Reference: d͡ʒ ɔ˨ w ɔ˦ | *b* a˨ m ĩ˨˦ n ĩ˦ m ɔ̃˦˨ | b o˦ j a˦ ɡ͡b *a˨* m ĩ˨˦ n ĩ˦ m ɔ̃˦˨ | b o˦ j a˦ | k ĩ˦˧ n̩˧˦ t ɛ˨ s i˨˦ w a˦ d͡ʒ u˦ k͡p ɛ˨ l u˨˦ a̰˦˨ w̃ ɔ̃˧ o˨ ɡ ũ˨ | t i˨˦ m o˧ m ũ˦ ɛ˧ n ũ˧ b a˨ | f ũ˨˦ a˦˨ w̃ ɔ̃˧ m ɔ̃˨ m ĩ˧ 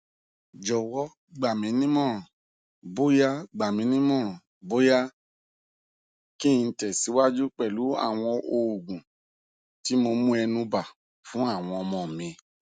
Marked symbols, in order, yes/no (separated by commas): no, yes